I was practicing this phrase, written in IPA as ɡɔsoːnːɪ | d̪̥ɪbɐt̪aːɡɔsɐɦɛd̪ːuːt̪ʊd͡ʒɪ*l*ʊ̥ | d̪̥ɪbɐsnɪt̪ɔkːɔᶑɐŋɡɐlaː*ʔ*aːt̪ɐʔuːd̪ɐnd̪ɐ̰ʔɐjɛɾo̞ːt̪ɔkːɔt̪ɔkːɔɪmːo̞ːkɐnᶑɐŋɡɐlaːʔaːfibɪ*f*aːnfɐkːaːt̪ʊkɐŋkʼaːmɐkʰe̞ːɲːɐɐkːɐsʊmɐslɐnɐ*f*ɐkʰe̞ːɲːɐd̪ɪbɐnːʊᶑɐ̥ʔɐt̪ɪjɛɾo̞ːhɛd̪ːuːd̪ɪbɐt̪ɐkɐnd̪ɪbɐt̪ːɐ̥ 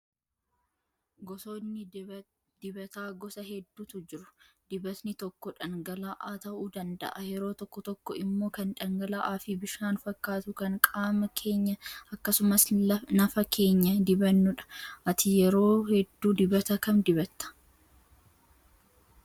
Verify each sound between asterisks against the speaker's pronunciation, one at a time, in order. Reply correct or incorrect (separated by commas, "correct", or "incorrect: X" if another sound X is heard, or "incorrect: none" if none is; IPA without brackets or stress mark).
incorrect: ɾ, correct, incorrect: ʃ, correct